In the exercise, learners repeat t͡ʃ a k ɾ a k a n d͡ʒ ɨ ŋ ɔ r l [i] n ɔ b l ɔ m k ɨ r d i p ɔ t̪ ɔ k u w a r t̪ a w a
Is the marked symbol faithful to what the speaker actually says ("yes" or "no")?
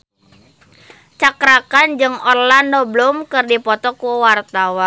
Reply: no